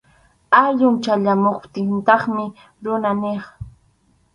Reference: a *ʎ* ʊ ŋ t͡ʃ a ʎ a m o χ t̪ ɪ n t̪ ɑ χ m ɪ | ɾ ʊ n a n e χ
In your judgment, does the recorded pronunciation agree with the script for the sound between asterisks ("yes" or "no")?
yes